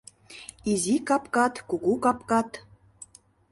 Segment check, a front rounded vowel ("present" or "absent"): absent